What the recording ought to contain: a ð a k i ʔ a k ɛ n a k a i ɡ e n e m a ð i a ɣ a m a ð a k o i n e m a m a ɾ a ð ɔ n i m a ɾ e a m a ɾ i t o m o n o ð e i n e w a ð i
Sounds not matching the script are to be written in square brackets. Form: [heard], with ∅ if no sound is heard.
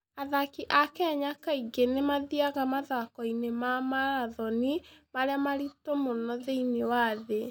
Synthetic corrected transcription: a ð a k i ʔ a k ɛ [ɲ] a k a i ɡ e n e m a ð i a ɣ a m a ð a k [ɔ] i n e m a m a ɾ a ð ɔ n i m a ɾ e a m a ɾ i t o m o n [ɔ] ð e i n e w a ð [e]